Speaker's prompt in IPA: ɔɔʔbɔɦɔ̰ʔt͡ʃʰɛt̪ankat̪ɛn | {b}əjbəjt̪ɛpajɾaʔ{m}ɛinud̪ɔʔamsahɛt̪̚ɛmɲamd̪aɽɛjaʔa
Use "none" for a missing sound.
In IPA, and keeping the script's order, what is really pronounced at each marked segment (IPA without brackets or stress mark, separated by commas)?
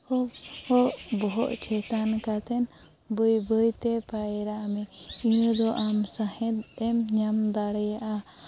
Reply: b, m